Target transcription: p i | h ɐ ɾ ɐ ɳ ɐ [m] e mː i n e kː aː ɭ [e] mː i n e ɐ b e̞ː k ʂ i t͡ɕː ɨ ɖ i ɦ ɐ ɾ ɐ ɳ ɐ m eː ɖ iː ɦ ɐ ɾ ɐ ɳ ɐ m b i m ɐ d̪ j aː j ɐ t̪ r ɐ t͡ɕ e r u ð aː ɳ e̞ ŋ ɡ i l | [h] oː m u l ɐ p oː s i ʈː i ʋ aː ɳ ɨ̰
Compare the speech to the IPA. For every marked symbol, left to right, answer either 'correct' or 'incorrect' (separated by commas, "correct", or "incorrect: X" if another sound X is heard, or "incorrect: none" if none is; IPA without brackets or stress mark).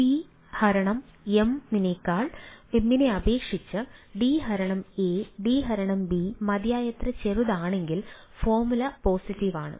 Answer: correct, correct, incorrect: f